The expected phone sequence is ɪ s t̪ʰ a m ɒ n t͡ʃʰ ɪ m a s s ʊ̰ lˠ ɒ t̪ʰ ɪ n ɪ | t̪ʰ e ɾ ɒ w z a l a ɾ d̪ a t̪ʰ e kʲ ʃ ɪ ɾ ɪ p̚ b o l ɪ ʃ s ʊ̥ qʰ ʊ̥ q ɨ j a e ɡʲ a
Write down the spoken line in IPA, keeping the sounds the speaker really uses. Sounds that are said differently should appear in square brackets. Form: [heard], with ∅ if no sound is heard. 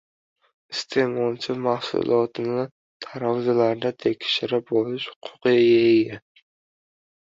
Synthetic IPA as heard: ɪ s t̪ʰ [e] m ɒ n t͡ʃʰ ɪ m a [h] s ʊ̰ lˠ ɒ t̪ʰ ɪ n ɪ | t̪ʰ [a] ɾ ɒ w z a l a ɾ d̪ a t̪ʰ e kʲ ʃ ɪ ɾ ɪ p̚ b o l ɪ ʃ [h] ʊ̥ qʰ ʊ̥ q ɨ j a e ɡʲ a